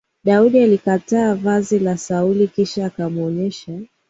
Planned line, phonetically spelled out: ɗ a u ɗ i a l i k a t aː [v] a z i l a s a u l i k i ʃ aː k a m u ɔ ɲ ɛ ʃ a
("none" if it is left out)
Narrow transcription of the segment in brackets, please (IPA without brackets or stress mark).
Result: v